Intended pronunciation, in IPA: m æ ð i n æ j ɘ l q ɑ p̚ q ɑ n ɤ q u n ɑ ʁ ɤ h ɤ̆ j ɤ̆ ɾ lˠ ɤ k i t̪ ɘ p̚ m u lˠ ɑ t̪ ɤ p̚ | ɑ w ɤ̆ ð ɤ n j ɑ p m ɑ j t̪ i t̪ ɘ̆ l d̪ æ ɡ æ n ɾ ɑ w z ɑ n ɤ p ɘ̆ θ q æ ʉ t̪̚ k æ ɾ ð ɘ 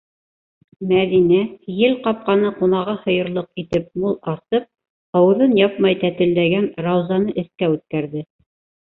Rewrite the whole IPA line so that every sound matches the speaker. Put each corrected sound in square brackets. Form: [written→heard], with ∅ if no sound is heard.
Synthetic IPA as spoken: m æ ð i n æ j ɘ l q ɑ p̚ q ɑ n ɤ q u n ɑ ʁ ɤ h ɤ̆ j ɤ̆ ɾ lˠ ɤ [k→q] i t̪ ɘ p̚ m u lˠ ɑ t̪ ɤ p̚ | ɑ w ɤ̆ ð ɤ n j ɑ p m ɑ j t̪ [i→æ] t̪ ɘ̆ l d̪ æ ɡ æ n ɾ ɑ w z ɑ n ɤ [p→ʔ] ɘ̆ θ [q→k] æ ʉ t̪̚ k æ ɾ ð ɘ